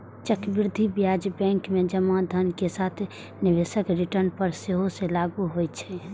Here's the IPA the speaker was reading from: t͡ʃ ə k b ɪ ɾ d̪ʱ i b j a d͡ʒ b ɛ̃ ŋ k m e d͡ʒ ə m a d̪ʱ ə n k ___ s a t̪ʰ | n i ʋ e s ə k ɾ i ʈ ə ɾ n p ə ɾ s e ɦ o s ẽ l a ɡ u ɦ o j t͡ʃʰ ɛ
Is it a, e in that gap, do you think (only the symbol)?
e